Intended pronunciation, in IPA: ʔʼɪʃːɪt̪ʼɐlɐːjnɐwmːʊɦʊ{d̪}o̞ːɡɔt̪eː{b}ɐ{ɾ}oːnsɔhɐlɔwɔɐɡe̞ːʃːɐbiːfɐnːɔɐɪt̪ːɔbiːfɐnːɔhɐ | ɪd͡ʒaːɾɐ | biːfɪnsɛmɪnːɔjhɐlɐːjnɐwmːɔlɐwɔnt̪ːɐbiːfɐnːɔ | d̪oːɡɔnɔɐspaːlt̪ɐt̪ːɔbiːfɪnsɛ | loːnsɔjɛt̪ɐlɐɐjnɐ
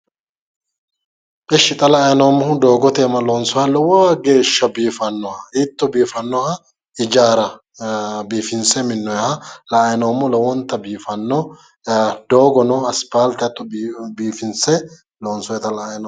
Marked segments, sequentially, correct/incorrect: correct, incorrect: m, incorrect: l

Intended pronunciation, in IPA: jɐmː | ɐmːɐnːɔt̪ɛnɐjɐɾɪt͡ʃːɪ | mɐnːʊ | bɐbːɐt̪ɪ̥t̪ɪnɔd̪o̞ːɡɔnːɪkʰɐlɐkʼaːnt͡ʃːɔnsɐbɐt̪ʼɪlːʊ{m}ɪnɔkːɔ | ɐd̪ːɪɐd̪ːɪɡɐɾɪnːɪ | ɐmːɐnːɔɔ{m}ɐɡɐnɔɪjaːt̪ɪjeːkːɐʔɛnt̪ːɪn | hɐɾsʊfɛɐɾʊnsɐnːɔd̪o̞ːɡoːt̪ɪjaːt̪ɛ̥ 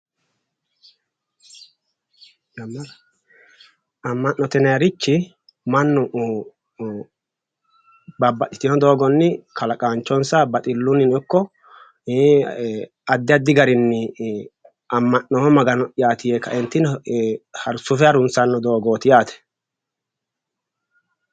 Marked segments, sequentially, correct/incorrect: incorrect: n, correct

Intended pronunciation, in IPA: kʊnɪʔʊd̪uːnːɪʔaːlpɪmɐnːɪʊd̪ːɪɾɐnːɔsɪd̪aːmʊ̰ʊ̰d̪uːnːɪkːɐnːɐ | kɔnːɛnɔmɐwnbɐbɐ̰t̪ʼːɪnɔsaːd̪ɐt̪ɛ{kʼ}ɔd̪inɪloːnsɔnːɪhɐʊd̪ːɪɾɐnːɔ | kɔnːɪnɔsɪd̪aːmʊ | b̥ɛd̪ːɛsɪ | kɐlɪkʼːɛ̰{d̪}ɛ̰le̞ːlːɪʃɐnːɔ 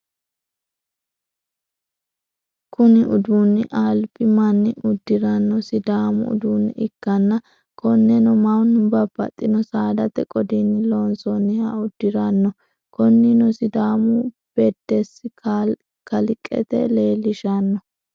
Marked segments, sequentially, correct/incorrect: correct, incorrect: t̪

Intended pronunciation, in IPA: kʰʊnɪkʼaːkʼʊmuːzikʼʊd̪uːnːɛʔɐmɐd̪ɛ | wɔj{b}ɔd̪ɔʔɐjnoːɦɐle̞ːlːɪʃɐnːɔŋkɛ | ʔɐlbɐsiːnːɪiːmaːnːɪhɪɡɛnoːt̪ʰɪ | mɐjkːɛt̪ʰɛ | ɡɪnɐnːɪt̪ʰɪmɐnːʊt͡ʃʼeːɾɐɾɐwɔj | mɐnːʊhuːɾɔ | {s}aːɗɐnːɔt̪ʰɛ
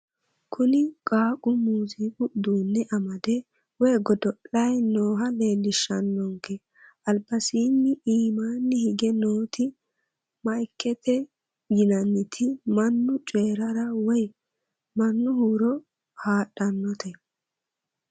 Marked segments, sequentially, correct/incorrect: incorrect: ɡ, incorrect: h

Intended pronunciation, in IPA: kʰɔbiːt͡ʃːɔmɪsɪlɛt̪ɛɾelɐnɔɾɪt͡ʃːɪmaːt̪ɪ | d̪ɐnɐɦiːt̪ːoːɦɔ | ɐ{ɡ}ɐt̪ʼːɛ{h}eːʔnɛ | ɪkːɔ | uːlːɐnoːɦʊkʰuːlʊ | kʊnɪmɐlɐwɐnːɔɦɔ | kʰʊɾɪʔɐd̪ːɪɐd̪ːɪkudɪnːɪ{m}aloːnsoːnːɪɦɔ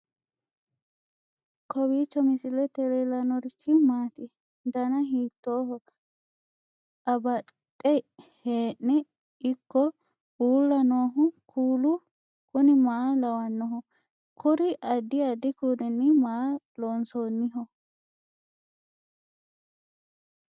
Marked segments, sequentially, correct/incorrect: incorrect: b, correct, correct

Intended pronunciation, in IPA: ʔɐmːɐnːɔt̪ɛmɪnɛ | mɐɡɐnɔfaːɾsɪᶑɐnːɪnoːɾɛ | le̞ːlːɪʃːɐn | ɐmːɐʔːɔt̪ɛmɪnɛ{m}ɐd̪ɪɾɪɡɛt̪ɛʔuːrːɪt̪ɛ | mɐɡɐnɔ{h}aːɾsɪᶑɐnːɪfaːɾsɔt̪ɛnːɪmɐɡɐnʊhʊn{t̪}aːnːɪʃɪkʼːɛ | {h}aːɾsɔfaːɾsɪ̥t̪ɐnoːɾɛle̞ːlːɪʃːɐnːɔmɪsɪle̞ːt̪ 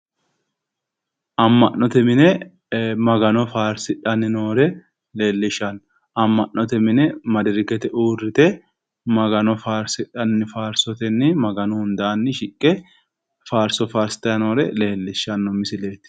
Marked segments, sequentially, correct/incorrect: correct, incorrect: f, incorrect: d̪, incorrect: f

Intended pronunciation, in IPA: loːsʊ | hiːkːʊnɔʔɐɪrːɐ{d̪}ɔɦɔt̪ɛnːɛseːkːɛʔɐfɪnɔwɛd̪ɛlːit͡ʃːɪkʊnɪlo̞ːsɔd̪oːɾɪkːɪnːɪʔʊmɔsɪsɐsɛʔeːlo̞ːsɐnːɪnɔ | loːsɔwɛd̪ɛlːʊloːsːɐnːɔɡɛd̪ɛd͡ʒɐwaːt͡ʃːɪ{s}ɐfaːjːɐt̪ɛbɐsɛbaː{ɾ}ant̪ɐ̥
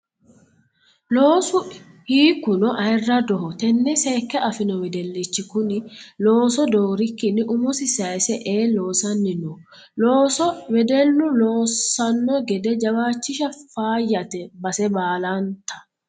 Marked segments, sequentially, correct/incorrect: correct, incorrect: ʃ, incorrect: l

